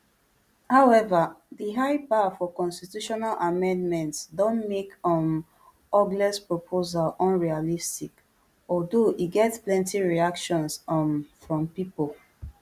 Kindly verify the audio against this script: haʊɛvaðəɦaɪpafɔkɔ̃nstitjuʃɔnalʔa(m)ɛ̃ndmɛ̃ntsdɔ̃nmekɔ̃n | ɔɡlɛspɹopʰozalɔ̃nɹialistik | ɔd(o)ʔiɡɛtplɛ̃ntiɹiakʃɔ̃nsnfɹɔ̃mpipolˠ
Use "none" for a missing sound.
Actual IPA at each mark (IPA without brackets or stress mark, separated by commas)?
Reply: m, o